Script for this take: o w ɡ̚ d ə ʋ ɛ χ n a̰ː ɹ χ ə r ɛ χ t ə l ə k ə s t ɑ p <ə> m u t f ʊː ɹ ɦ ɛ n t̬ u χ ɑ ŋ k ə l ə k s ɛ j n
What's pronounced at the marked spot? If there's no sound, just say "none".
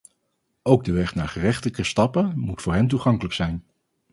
ə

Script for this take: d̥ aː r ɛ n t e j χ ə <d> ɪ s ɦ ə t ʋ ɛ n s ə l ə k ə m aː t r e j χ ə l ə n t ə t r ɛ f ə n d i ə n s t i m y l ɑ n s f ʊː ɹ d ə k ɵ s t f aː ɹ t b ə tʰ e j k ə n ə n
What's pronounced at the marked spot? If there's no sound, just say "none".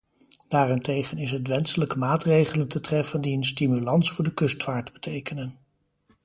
n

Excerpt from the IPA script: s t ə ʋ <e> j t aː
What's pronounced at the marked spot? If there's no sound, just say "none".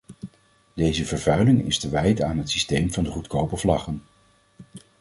ɛ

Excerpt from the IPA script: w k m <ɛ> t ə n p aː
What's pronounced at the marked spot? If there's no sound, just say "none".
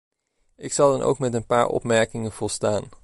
ɛ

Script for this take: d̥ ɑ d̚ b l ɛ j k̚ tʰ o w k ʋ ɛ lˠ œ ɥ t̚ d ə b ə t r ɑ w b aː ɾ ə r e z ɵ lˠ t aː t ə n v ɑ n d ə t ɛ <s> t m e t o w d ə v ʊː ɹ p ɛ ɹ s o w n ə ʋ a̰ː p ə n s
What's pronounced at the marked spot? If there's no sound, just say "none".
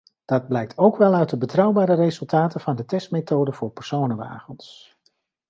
s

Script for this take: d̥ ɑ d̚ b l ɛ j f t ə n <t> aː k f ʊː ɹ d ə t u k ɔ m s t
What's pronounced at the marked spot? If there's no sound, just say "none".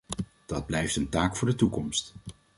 t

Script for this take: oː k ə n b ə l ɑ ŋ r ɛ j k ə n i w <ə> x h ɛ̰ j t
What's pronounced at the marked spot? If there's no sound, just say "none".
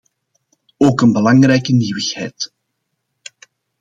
ə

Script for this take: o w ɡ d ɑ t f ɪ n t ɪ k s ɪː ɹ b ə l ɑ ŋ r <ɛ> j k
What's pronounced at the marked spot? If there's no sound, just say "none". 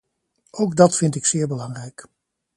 ɛ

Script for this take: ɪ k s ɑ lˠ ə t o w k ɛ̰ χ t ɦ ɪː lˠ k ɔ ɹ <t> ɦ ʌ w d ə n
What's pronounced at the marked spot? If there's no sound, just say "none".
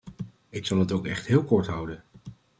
t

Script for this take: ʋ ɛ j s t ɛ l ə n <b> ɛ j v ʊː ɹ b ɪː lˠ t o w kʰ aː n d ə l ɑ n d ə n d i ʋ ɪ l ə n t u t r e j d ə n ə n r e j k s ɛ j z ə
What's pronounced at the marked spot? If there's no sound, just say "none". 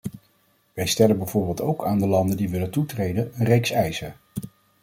b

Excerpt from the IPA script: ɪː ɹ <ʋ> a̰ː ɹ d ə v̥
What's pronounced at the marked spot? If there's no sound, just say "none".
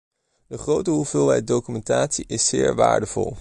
ʋ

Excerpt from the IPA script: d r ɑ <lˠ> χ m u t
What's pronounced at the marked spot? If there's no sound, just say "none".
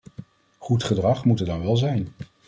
none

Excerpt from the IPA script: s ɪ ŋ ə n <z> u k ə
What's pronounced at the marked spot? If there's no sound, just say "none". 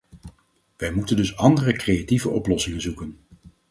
z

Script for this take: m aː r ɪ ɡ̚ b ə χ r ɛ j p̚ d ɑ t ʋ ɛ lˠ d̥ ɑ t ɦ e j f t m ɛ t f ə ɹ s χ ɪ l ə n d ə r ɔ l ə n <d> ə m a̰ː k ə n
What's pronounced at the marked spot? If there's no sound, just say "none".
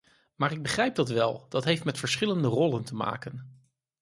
t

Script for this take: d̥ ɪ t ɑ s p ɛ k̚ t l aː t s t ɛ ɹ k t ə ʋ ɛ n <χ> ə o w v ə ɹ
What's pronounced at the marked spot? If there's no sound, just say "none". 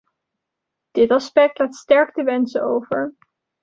s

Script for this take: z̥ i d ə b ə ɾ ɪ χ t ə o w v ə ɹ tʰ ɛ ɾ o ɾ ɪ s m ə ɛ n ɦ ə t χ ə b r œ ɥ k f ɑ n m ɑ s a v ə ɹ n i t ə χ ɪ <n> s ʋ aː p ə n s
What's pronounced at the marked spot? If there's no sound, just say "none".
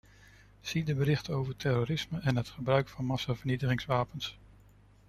ŋ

